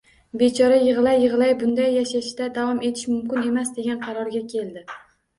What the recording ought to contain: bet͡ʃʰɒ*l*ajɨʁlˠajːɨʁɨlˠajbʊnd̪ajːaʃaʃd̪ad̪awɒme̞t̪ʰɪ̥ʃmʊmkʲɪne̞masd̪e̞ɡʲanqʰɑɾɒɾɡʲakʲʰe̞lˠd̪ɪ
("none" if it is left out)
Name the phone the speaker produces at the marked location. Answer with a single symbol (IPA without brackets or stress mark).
ɾ